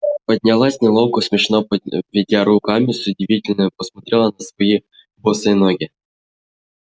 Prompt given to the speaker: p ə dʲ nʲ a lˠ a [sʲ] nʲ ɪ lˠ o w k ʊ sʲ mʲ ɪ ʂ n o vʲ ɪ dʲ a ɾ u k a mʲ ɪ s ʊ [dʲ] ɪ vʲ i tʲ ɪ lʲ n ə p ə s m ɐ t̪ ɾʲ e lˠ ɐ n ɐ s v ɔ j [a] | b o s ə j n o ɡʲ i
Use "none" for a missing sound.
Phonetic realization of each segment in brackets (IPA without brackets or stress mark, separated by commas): sʲ, dʲ, i